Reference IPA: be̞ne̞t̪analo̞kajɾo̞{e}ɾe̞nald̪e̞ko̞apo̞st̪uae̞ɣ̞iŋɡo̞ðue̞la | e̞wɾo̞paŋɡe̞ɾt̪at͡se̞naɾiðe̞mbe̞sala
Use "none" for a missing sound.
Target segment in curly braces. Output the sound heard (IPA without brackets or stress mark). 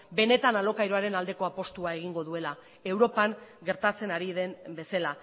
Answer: a